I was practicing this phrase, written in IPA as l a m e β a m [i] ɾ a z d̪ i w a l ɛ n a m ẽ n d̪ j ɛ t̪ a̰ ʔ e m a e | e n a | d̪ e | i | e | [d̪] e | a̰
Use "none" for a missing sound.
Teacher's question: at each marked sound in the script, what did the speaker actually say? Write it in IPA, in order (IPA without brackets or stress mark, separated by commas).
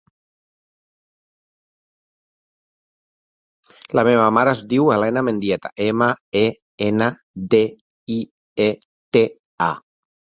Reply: a, t̪